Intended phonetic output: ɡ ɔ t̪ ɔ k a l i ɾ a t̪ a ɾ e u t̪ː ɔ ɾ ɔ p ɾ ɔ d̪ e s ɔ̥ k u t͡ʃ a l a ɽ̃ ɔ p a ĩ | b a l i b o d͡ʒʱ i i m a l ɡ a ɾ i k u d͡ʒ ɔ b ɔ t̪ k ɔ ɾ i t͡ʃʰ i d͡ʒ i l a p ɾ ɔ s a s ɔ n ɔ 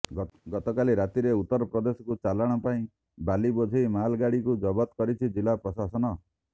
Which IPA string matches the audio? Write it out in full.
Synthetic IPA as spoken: ɡ ɔ t̪ ɔ k a l i ɾ a t̪ i ɾ e u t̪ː ɔ ɾ ɔ p ɾ ɔ d̪ e s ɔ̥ k u t͡ʃ a l a ɽ̃ ɔ p a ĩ | b a l i b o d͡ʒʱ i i m a l ɡ a ɽ i k u d͡ʒ ɔ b ɔ t̪ k ɔ ɾ i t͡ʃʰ i d͡ʒ i l a p ɾ ɔ s a s ɔ n ɔ